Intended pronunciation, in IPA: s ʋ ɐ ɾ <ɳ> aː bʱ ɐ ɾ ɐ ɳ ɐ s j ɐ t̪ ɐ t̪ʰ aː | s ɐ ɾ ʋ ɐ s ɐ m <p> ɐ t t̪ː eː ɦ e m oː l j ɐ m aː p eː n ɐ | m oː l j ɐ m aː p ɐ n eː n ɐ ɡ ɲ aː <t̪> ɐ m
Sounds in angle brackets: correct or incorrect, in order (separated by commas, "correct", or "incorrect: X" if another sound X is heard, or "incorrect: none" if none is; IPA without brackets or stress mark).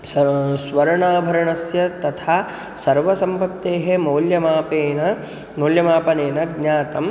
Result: correct, correct, correct